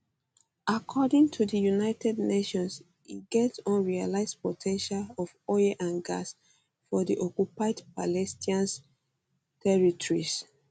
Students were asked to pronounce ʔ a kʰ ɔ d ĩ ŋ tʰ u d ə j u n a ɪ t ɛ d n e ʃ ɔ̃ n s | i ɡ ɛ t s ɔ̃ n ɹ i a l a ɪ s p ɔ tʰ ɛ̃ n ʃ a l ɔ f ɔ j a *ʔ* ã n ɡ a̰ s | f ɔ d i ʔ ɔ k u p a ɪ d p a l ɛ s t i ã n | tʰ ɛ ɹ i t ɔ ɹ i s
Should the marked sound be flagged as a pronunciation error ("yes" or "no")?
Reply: no